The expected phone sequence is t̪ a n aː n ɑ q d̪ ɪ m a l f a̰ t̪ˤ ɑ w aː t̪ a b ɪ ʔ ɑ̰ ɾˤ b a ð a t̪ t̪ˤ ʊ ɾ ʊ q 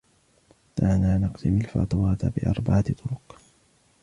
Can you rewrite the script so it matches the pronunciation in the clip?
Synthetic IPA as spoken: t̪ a n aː n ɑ q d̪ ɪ m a l f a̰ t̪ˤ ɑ w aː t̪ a b ɪ ʔ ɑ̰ ɾˤ b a ʕ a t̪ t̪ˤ ʊ ɾ ʊ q